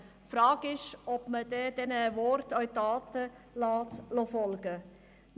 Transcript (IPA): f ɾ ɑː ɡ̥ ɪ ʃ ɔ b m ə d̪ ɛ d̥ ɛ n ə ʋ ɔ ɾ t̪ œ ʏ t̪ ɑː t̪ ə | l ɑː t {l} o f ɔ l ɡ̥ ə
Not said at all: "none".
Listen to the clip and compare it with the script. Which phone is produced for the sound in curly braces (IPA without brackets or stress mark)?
l